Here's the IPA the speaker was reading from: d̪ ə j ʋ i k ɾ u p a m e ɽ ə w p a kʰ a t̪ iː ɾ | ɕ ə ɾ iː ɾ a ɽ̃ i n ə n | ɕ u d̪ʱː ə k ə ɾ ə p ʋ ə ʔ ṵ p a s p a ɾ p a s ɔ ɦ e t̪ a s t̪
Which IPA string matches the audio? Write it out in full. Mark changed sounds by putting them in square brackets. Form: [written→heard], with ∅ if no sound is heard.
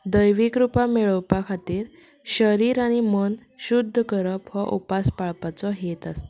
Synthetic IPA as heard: d̪ ə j ʋ i k ɾ u p a m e [ɽ→ɭ] ə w p a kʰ a t̪ iː ɾ | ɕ ə ɾ iː ɾ a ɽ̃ i [n→m] ə n | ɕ u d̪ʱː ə k ə ɾ ə p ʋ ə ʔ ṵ p a s p a [ɾ→ɭ] p a [s→t͡s] ɔ ɦ e t̪ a s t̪